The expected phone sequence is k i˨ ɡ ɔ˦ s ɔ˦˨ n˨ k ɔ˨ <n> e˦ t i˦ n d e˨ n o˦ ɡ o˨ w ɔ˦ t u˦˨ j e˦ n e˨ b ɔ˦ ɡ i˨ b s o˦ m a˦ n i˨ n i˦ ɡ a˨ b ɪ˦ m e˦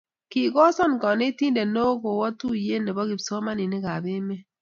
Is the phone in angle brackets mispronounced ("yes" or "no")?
no